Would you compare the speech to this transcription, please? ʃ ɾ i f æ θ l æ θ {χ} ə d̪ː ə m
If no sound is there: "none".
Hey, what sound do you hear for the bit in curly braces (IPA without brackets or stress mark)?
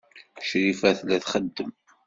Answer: χ